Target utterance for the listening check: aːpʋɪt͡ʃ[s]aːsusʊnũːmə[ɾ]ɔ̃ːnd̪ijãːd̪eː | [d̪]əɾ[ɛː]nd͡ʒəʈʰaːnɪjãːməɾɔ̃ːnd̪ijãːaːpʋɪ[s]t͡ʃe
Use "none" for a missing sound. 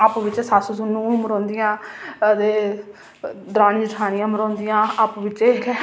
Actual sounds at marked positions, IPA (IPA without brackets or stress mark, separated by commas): s, ɾ, d̪, aː, none